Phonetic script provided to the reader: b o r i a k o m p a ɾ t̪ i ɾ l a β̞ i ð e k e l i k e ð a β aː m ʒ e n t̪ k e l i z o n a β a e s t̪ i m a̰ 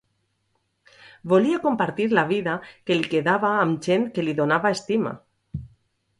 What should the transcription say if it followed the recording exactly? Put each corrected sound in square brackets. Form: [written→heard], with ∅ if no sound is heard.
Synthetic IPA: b o [r→l] i a k o m p a ɾ t̪ i ɾ l a β̞ i ð [e→a] k e l i k e ð a β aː m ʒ e n t̪ k e l i [z→ð] o n a β a e s t̪ i m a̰